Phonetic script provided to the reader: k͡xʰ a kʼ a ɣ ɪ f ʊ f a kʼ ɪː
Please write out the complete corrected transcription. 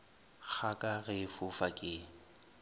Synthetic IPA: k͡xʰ a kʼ a ɣ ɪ f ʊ f a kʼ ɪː